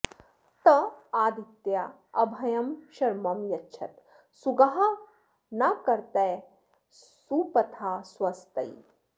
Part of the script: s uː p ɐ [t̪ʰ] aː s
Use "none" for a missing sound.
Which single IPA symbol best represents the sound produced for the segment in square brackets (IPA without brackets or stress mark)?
t̪ʰ